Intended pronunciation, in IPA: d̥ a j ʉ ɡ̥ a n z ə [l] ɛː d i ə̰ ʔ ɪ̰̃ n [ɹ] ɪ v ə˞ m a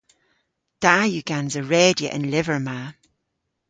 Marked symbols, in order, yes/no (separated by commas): no, no